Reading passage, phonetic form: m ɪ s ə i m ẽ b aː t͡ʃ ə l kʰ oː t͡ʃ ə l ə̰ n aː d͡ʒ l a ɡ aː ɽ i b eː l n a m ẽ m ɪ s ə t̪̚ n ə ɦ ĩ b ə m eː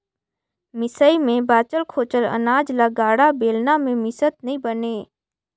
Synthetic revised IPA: m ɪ s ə i m ẽ b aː t͡ʃ ə l kʰ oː t͡ʃ ə l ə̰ n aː d͡ʒ l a ɡ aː ɽ a b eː l n a m ẽ m ɪ s ə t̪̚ n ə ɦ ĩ b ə n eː